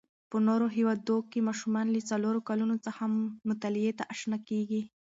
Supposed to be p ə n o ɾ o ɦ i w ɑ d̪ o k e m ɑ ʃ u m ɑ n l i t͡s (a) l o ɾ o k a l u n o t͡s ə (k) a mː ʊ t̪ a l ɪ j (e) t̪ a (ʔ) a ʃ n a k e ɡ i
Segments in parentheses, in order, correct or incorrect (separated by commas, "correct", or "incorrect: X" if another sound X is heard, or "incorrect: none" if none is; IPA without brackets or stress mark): correct, incorrect: x, correct, correct